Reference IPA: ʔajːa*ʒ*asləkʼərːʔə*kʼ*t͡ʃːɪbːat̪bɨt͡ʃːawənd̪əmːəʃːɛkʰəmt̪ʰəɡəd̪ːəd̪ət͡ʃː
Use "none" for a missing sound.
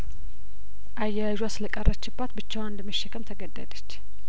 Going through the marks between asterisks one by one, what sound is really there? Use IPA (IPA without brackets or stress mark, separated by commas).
ʒ, none